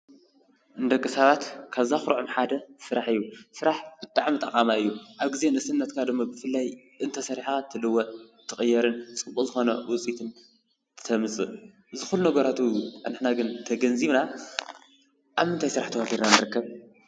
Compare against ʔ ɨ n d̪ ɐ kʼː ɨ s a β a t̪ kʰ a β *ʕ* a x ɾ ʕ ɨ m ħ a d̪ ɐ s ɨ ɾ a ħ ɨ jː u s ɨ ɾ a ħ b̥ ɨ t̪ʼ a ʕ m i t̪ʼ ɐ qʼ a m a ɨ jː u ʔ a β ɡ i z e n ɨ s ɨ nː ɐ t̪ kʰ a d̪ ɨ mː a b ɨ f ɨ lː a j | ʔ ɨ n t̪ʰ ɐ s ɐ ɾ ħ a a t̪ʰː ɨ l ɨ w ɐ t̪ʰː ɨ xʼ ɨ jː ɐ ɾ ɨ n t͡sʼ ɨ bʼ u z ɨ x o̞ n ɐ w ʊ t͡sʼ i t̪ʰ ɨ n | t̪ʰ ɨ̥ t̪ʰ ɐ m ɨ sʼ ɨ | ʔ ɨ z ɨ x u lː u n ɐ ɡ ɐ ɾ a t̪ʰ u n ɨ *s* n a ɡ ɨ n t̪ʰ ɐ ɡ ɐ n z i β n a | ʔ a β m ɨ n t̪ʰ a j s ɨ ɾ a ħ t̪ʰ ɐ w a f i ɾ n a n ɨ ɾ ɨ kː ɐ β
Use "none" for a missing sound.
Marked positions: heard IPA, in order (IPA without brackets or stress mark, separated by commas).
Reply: z, ħ